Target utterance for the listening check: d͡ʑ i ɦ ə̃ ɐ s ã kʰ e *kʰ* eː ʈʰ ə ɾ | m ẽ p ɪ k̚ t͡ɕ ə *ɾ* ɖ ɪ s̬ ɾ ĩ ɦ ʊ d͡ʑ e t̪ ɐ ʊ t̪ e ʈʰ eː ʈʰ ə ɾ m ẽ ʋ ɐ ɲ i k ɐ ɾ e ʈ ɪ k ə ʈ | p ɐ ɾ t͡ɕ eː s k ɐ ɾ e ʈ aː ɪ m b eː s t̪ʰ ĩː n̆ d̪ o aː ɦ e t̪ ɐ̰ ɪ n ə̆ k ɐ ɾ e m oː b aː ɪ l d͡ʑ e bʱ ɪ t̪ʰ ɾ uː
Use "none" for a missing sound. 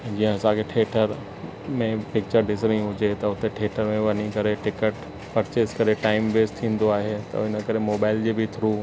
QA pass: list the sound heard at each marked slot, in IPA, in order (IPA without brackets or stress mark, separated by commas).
ʈʰ, ɾ